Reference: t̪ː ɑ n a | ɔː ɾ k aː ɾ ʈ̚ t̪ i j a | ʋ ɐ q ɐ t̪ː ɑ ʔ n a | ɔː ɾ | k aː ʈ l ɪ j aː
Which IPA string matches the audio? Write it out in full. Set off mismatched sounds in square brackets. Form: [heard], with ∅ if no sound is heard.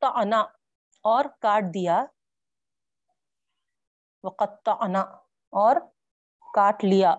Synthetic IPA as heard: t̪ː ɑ n a | ɔː ɾ k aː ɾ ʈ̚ [d̪] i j a | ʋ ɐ q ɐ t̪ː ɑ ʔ n a | ɔː ɾ | k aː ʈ l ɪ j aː